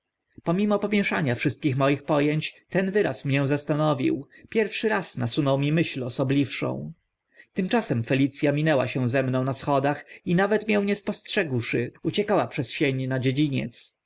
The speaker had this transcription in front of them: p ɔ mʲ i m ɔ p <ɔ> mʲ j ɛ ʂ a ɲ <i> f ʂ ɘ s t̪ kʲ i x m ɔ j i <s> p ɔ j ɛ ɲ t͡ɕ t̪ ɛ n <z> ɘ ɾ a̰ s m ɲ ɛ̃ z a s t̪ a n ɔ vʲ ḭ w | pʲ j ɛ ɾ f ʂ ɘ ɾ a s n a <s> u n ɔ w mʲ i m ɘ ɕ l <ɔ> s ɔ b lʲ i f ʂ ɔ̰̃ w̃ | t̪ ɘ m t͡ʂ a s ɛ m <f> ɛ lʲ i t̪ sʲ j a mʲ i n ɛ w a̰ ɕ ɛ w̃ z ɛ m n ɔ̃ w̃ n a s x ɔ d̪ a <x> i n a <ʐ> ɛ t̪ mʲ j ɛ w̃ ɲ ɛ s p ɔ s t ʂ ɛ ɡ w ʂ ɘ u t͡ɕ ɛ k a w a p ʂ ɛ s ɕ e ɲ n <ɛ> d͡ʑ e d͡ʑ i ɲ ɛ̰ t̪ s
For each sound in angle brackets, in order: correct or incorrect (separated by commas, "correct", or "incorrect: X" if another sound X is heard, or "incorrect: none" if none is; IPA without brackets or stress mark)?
correct, incorrect: a, incorrect: x, incorrect: v, correct, correct, correct, correct, incorrect: v, incorrect: a